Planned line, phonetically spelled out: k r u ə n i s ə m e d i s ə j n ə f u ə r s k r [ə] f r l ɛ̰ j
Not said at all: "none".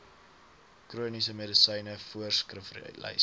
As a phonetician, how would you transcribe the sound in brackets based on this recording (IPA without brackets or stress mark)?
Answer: ə